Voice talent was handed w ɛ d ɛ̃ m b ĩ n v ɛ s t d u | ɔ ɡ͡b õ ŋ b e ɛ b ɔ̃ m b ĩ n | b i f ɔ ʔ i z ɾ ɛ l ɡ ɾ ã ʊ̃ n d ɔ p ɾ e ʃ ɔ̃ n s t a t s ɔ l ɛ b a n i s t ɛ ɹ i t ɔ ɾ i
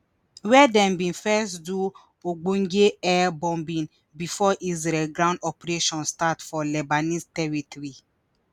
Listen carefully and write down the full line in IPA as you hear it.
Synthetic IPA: w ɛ d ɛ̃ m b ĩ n f ɛ s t d u | o ɡ͡b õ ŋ ɡ e ɛ b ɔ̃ m b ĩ n | b i f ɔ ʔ i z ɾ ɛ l ɡ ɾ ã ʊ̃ n d ɔ p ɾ e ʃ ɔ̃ n s t a t f ɔ l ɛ b a n i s t ɛ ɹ i t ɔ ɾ i